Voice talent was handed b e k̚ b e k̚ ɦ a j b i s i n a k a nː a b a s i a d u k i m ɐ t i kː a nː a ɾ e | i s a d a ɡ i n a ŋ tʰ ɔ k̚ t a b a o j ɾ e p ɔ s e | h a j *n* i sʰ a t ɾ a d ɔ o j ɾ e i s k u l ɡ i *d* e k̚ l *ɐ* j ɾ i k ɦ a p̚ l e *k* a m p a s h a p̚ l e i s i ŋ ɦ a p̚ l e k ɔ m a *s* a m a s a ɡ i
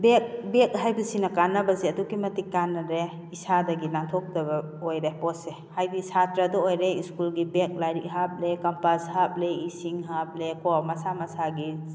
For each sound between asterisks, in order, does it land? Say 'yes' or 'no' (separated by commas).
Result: no, no, no, yes, yes